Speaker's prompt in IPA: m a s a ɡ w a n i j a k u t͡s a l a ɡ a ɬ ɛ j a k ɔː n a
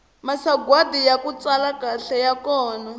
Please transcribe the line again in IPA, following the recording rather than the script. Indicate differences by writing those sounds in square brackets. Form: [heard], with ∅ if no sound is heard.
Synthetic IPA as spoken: m a s a ɡ w a [d] i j a k u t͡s a l a [k] a ɬ ɛ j a k ɔː n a